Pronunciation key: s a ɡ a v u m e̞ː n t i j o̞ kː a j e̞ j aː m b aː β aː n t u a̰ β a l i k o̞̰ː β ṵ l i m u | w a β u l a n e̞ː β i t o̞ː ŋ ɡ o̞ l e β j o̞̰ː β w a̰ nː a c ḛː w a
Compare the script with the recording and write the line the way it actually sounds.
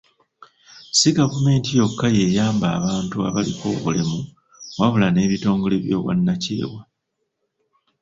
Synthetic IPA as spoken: s i ɡ a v u m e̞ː n t i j o̞ kː a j e̞ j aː m b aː β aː n t u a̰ β a l i k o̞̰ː β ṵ l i m u | w a β u l a n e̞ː β i t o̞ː ŋ ɡ o̞ l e β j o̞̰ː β w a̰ nː a c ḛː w a

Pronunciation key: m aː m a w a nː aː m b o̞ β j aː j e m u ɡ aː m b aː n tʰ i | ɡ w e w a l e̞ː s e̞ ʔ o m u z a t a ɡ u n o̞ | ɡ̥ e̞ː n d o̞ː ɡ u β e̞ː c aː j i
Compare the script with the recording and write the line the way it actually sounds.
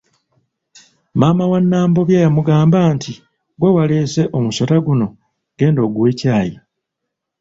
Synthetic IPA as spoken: m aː m a w a nː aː m b o̞ β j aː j a m u ɡ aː m b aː n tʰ i | ɡ w e w a l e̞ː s e̞ ʔ o m u s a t a ɡ u n o̞ | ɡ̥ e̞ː n d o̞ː ɡ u w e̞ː c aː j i

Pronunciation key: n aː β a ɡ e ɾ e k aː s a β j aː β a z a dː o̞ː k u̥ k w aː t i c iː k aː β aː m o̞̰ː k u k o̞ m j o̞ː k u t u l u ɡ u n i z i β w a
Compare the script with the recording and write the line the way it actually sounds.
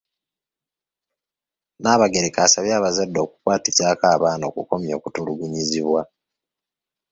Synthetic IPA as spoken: n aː β a ɡ e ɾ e k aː s a β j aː β a z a dː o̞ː k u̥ k w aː t i c aː k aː β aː n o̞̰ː k u k o̞ m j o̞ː k u t u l u ɡ u ɲ i z i β w a

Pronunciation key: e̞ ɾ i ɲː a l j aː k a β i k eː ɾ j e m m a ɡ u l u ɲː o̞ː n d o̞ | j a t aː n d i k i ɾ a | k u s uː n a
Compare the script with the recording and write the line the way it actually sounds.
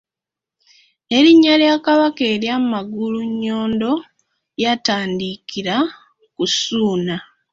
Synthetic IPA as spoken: e̞ ɾ i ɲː a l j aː k a β a k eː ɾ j a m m a ɡ u l u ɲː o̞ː n d o̞ | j a t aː n d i k i ɾ a | k u s uː n a

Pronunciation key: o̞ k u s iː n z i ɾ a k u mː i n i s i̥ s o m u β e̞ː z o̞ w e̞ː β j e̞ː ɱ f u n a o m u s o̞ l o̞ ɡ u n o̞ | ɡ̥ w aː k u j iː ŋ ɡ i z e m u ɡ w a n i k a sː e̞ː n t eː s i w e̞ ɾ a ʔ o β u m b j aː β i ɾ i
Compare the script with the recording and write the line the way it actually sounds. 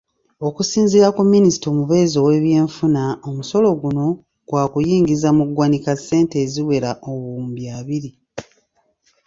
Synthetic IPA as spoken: o̞ k u s iː n z i ɾ a k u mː i n i s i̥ t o m u β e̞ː z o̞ w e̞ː β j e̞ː ɱ f u n a o m u s o̞ l o̞ ɡ u n o̞ | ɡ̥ w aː k u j iː ŋ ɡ i z a m u ɡ w a n i k a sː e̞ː n t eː z i w e̞ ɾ a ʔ o β uː m b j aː β i ɾ i

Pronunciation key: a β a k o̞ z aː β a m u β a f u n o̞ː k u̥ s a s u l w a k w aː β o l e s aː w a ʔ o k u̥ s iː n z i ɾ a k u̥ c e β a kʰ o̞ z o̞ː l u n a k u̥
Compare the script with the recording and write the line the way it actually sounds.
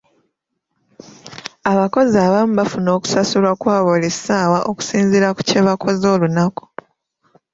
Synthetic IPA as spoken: a β a k o̞ z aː β a m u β a f u n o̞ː k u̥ s a s u l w a k w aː β o l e s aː w a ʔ o k u̥ s iː n z i ɾ a k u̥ c e β a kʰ o̞ z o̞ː l u n a k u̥

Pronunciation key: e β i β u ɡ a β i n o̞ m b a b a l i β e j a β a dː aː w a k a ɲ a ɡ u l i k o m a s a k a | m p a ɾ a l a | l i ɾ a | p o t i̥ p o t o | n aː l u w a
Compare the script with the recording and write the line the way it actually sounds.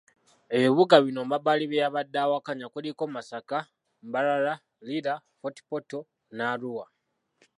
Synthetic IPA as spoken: e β i β u ɡ a β i n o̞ m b a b a l i β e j a β a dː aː w a k a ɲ a k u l i k o m a s a k a | m b a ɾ a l a | l i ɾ a | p o t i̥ p o t o | n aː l u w a

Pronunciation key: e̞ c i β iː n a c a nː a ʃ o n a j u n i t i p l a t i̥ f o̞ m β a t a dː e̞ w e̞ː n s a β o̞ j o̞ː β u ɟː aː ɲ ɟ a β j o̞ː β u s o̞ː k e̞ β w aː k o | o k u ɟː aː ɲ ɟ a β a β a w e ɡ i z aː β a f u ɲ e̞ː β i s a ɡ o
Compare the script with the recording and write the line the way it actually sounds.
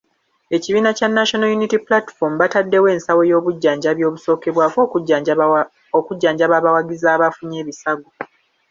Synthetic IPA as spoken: e̞ c i β iː n a c a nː a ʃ o n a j u n i t i p l a t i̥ f o̞ m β a t a dː e̞ w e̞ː n s a w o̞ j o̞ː β u ɟː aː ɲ ɟ a β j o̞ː β u s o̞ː k e̞ β w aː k o | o k u ɟː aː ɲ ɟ a β a β a w a ɡ i z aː β a f u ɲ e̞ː β i s a ɡ o

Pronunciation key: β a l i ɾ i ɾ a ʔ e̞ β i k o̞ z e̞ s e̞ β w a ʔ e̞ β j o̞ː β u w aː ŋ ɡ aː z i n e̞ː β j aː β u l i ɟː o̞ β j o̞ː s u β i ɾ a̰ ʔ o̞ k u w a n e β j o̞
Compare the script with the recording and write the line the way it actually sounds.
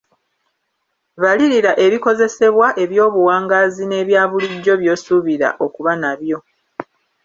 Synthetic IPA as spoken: β a l i ɾ i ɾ a ʔ e̞ β i k o̞ z e̞ s e̞ β w a ʔ e̞ β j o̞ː β u w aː ŋ ɡ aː z i n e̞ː β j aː β u l i ɟː o̞ β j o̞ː s u β i ɾ a̰ ʔ o̞ k u β a n a β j o̞

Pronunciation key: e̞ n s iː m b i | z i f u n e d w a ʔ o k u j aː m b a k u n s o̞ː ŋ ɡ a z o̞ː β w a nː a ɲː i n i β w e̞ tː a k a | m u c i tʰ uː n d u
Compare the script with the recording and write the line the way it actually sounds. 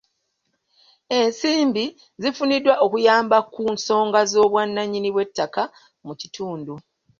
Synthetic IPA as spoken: e̞ n s iː m b i | z i f u n i d w a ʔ o k u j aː m b a k u n s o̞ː ŋ ɡ a z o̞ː β w a nː a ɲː i n i β w e̞ tː a k a | m u c i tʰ uː n d u

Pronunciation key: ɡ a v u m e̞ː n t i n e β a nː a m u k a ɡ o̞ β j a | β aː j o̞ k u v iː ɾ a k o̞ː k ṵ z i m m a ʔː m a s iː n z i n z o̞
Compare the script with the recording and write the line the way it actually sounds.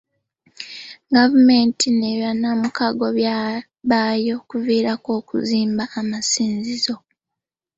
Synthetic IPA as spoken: ɡ a v u m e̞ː n t i n e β a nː a m u k a ɡ o̞ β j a | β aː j o̞ k u v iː ɾ a k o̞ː k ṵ z iː m b a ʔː m a s iː n z i z o̞

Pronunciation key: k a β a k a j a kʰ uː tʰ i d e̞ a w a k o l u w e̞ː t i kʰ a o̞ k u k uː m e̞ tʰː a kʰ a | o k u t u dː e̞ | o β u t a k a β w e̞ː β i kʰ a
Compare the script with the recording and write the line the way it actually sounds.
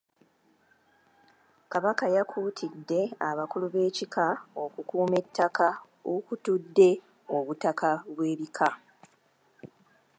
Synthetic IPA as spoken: k a β a k a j a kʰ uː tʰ i dː e̞ a β a k u l u β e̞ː c i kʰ a o̞ k u k uː m e̞ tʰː a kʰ a | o k u t u dː e̞ | o β u t a k a β w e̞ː β i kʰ a

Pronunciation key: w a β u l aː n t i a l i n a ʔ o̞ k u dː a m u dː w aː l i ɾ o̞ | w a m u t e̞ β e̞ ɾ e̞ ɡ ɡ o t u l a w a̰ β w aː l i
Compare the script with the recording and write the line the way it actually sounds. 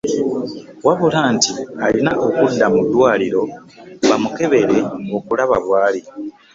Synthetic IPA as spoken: w a β u l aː n t i a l i n a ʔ o̞ k u dː a m u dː w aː l i ɾ o̞ | β a m u k e̞ β e̞ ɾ e̞ ŋ ɡ o k u l a β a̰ β w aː l i

